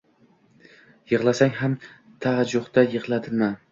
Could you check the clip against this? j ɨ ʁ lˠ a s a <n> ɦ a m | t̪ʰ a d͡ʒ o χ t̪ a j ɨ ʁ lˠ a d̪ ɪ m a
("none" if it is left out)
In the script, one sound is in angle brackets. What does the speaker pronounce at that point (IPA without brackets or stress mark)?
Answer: ŋ